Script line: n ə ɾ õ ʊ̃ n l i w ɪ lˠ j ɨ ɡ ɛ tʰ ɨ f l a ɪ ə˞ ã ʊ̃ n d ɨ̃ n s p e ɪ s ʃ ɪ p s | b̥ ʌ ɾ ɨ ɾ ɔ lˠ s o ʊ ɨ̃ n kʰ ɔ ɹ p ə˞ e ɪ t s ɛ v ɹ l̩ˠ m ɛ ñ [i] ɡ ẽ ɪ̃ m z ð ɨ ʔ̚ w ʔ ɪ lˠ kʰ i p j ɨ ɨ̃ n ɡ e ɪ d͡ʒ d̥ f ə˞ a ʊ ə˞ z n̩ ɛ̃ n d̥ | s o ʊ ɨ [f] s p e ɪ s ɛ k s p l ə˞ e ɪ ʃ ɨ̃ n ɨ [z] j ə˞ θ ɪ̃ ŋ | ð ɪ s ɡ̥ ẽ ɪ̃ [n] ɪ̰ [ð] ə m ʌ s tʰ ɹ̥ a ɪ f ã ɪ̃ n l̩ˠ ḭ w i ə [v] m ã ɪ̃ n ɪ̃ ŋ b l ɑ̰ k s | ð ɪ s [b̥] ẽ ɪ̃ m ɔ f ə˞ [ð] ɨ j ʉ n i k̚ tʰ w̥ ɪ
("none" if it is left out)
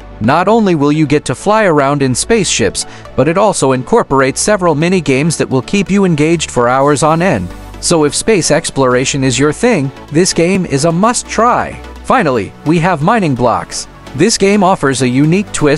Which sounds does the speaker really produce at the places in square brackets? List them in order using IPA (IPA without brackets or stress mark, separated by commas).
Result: i, f, z, m, z, v, ɡ̥, z